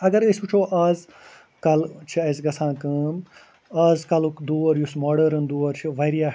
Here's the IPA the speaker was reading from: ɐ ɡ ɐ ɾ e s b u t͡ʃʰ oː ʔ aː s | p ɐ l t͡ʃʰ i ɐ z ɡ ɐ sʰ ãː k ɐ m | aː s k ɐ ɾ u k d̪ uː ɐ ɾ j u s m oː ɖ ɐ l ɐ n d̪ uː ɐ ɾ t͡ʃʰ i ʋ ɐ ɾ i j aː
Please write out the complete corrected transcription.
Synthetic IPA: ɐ ɡ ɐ ɾ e s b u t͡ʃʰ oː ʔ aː z | k ɐ l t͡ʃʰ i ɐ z ɡ ɐ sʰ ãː k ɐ m | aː z k ɐ l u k d̪ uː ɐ ɾ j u s m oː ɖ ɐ ɾ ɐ n d̪ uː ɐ ɾ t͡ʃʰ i ʋ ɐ ɾ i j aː

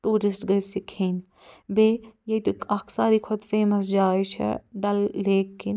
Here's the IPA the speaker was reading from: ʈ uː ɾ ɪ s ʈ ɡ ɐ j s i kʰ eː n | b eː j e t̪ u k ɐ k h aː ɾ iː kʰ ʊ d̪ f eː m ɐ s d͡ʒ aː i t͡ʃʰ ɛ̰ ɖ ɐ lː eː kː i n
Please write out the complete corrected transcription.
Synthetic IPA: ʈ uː ɾ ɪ s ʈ ɡ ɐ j s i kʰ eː n | b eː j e t̪ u k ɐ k s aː ɾ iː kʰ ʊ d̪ f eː m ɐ s d͡ʒ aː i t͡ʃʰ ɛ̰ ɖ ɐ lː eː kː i n

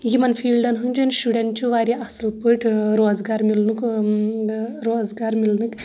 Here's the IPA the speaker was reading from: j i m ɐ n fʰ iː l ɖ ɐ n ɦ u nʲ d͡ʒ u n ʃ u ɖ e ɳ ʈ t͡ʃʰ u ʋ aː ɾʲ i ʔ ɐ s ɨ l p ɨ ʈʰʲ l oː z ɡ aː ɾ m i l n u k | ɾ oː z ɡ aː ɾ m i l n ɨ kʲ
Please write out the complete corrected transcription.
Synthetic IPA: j i m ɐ n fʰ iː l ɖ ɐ n ɦ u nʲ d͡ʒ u n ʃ u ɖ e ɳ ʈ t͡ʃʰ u ʋ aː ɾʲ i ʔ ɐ s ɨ l p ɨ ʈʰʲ ɾ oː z ɡ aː ɾ m i l n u k | ɾ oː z ɡ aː ɾ m i l n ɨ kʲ

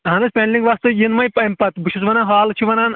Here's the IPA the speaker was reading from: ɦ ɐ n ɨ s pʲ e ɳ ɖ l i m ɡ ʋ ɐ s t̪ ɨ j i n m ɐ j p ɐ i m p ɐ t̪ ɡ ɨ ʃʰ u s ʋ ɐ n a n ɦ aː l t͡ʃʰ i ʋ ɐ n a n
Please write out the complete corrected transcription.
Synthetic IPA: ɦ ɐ n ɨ s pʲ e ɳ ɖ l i ŋ ɡ ʋ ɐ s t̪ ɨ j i n m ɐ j p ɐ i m p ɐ t̪ b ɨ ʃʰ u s ʋ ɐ n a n ɦ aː l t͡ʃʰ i ʋ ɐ n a n

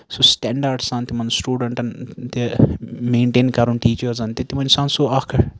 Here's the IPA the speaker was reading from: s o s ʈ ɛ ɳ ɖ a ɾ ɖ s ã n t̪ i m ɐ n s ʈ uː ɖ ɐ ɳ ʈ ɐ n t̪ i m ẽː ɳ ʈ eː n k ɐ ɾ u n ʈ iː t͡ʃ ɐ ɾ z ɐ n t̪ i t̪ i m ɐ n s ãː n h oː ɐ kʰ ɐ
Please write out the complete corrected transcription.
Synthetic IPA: s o s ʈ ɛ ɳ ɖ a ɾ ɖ s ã n t̪ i m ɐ n s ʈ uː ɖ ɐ ɳ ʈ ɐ n t̪ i m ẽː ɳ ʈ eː n k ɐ ɾ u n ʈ iː t͡ʃ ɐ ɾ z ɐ n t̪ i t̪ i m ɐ n s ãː n s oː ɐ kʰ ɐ

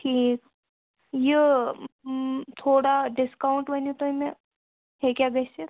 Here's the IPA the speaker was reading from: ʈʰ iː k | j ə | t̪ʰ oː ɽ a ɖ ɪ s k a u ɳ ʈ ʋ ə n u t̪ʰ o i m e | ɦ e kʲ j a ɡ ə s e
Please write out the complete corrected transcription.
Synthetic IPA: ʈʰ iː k | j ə | t̪ʰ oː ɽ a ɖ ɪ s k a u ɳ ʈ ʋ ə n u t̪ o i m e | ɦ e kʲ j a ɡ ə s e

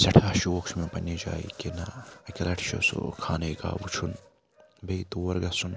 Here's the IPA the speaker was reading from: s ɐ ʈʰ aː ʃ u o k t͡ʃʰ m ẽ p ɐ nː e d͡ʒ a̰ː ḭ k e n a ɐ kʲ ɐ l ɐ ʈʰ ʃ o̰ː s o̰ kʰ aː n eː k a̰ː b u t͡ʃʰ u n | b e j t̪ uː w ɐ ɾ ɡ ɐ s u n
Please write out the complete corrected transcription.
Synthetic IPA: s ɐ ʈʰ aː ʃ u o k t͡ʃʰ m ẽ p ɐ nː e d͡ʒ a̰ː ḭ k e n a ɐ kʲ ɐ l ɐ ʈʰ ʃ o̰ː s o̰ kʰ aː n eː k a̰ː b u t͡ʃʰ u n | b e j t̪ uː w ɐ ɾ ɡ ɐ s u n

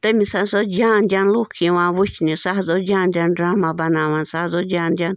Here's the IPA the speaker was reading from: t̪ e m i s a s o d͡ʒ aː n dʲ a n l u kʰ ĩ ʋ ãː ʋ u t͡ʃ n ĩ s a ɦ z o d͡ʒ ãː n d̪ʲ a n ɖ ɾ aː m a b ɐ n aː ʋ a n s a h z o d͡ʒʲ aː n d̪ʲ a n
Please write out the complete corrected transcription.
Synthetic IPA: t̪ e m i s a s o d͡ʒ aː n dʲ a n l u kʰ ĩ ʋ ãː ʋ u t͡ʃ n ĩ s a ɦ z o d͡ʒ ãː n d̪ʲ a n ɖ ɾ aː m a b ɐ n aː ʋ a n s a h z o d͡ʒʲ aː n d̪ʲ a n

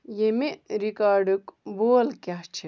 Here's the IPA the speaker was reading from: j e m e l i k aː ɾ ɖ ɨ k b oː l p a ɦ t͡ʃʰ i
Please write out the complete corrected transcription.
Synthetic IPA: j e m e ɾ i k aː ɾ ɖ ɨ k b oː l k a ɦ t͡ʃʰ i

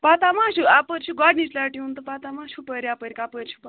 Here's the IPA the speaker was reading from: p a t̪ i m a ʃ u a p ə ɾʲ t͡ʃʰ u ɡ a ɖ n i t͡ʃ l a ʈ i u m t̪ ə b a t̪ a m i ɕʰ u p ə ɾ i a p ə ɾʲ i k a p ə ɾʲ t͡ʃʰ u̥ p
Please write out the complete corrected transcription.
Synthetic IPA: p a t̪ a m a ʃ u a p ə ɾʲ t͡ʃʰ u ɡ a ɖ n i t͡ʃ l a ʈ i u n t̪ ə p a t̪ a m a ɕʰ u p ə ɾ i a p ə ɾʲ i k a p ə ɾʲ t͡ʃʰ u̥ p

